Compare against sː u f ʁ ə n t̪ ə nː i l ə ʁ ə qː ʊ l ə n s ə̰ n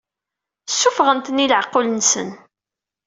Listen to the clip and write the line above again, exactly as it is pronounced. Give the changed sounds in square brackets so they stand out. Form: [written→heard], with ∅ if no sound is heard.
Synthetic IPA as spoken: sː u f ʁ ə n t̪ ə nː i l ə [ʁ→ʕ] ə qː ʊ l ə n s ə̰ n